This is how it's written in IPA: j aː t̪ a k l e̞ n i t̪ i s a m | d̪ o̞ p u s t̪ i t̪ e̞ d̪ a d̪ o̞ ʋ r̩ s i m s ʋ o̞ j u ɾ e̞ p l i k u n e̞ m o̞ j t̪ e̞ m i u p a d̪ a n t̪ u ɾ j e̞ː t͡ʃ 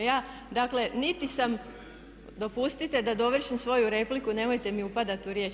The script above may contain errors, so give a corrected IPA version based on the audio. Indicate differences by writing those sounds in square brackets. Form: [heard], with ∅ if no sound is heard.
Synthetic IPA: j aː [d̪] a k l e̞ n i t̪ i s a m | d̪ o̞ p u s t̪ i t̪ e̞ d̪ a d̪ o̞ ʋ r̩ [ʃ] i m s ʋ o̞ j u ɾ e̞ p l i k u n e̞ m o̞ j t̪ e̞ m i u p a d̪ a [∅] t̪ u ɾ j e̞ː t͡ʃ